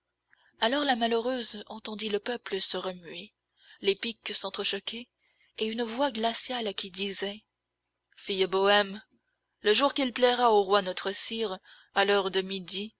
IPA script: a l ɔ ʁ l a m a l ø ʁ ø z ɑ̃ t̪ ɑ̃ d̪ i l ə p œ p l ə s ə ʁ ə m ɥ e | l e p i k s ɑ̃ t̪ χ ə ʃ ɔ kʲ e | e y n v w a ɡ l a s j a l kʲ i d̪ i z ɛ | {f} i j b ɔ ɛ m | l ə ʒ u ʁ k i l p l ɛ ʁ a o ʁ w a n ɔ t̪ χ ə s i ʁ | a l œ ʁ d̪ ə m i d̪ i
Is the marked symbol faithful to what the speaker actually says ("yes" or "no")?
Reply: yes